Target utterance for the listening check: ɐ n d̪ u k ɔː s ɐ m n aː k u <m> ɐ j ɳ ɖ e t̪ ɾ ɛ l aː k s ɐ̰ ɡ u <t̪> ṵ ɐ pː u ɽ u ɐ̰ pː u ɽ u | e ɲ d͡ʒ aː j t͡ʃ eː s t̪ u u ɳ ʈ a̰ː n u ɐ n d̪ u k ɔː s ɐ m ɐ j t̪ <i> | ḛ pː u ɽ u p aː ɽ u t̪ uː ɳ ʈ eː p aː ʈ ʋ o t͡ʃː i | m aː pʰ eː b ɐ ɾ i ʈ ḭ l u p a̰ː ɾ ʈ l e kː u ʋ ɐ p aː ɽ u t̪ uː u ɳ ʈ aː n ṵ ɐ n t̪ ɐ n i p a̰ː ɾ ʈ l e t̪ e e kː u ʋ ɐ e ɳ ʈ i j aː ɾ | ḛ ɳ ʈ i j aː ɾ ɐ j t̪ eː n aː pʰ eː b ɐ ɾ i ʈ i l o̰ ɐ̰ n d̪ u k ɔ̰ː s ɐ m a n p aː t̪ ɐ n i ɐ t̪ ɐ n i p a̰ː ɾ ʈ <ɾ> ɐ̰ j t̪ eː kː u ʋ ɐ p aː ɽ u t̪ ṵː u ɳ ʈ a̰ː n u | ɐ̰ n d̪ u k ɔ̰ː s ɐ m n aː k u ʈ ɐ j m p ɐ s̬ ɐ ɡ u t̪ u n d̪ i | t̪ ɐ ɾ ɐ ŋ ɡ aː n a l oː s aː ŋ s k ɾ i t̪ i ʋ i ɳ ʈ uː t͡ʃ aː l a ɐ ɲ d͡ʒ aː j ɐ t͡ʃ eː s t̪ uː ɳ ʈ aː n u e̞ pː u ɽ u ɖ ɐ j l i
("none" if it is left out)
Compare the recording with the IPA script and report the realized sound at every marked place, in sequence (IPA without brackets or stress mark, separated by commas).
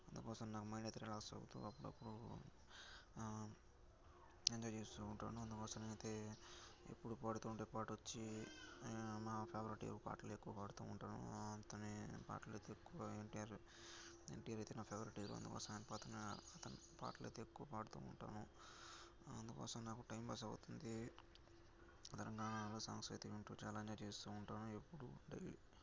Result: m, t̪, e, l